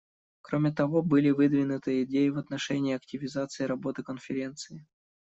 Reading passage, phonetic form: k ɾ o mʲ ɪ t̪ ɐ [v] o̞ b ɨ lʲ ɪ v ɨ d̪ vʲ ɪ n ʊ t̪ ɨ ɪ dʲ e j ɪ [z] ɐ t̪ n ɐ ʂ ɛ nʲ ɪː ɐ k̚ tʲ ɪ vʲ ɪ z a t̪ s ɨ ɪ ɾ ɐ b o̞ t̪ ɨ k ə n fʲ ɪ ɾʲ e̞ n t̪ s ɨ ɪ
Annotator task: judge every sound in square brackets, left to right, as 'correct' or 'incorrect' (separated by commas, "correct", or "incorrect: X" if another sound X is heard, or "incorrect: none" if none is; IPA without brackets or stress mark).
correct, incorrect: v